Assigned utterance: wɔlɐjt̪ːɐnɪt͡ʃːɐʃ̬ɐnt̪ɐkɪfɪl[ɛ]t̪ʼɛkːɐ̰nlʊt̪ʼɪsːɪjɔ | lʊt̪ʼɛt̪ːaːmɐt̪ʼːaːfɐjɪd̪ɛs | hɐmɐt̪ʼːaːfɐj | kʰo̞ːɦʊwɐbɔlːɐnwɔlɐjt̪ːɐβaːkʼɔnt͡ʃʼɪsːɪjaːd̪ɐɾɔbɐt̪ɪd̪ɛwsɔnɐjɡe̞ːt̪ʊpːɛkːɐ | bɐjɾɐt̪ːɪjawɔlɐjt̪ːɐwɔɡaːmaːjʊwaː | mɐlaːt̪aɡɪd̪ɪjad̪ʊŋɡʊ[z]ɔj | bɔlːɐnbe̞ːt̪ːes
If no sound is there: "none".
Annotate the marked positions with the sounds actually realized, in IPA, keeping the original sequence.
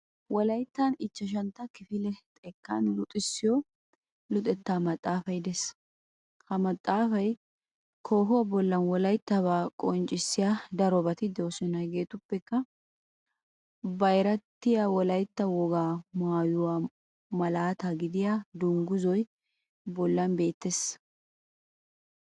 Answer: ɛ, z

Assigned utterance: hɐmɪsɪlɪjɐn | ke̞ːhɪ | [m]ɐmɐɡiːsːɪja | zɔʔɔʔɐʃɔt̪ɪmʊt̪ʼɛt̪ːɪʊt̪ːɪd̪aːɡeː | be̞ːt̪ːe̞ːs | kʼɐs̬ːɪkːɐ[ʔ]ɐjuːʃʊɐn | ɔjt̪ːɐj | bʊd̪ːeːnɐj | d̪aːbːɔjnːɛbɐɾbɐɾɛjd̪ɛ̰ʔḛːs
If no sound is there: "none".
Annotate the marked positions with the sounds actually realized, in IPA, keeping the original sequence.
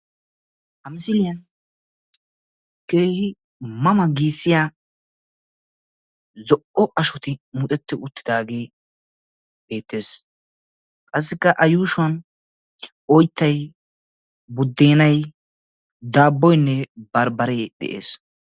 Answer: m, ʔ

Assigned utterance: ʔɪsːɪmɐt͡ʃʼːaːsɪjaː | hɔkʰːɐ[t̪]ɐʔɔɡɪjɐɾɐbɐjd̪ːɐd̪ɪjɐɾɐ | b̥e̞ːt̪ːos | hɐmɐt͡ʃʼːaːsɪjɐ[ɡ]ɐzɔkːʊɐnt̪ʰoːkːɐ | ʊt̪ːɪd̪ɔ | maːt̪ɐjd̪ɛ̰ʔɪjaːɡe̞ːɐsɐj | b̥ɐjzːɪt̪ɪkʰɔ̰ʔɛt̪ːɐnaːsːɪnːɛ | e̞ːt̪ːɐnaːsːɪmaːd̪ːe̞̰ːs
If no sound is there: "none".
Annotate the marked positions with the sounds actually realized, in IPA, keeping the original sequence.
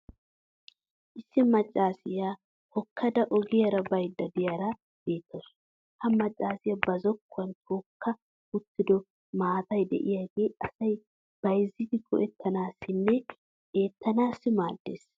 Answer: d̪, b

